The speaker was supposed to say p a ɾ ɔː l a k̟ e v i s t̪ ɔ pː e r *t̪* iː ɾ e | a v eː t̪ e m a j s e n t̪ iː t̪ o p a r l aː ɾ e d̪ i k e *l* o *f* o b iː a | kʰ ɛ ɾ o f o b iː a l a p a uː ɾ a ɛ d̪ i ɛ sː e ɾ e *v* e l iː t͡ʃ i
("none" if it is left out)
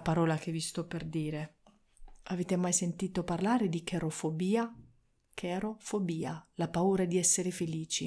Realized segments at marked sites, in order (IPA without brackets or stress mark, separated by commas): d̪, ɾ, f, f